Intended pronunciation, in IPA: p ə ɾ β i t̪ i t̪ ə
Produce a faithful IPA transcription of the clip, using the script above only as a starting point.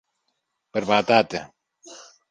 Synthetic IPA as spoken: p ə ɾ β a t̪ a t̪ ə